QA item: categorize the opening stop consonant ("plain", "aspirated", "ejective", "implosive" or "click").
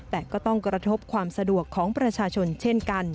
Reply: plain